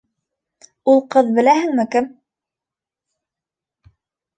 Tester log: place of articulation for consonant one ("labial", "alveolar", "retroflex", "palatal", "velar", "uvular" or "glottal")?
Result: alveolar